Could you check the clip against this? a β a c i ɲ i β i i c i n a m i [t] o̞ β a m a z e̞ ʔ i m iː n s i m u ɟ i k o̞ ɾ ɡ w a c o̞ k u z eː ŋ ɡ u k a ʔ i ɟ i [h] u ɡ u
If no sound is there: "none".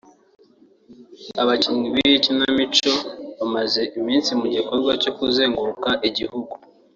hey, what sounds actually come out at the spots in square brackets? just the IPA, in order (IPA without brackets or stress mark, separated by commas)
t͡ʃ, h